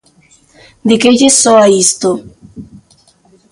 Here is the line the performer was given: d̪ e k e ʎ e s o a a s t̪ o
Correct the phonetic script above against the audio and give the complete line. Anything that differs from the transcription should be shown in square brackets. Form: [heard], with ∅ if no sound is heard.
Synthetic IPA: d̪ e k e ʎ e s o a [i] s t̪ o